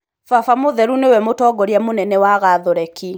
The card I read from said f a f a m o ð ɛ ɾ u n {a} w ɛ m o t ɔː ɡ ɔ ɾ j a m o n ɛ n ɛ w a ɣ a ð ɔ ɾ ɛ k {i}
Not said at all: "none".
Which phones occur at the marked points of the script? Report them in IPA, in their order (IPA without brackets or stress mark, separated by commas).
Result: e, i